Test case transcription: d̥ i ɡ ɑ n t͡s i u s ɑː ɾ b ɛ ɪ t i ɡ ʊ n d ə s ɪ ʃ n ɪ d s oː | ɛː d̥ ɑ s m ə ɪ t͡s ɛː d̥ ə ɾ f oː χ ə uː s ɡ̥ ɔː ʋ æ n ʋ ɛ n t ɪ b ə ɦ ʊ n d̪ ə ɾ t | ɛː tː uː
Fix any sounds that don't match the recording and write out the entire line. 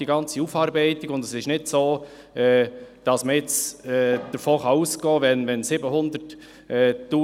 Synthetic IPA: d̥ i ɡ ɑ n t͡s i u f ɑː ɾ b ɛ ɪ t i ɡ ʊ n d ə s ɪ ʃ n ɪ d s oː | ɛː d̥ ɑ s m ə ɪ t͡s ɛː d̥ ə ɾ f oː χ ɑ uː s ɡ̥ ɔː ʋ ɛ n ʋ ɛ n s ɪ b ə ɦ ʊ n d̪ ə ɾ t | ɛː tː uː